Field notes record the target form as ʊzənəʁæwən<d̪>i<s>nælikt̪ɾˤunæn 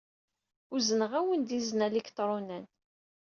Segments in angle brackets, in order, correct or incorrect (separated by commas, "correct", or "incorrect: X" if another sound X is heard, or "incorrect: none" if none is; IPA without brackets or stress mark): correct, incorrect: z